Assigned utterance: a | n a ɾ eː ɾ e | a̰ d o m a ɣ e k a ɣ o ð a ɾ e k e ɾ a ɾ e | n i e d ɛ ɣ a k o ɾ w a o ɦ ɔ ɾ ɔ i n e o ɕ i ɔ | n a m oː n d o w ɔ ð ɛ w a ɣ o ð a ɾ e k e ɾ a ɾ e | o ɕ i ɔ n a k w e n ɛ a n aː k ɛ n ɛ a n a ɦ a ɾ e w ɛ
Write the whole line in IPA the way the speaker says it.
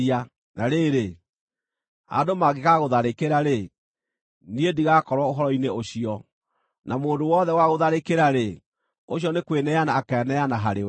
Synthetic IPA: a | n a ɾ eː ɾ e | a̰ d o m a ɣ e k a ɣ o ð a ɾ e k e ɾ a ɾ e | n i e d i ɣ a k ɔ ɾ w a o ɦ ɔ ɾ ɔ i n e o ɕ i ɔ | n a m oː n d o w ɔ ð ɛ w a ɣ o ð a ɾ e k e ɾ a ɾ e | o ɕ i ɔ n e k w e n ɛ a n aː k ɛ n ɛ a n a ɦ a ɾ e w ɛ